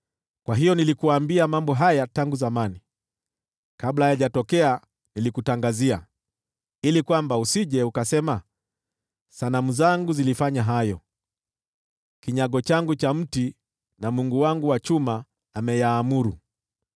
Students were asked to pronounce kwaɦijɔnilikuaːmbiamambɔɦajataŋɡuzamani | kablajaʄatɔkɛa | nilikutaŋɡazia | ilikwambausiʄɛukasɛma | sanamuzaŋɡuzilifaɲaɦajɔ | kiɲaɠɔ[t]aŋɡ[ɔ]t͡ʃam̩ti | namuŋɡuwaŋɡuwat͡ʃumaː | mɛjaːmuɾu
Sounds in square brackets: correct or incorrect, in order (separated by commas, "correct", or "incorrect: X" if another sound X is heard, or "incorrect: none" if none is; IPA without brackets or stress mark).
incorrect: t͡ʃ, incorrect: u